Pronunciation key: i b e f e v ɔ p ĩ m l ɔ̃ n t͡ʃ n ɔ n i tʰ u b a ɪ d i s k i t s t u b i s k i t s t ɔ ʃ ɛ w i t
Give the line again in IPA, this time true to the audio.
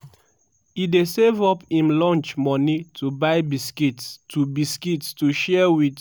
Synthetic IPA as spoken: i d e s e v ɔ p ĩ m l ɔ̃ n t͡ʃ m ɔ n i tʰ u b a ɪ b i s k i t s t u b i s k i t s t u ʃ ɛ w i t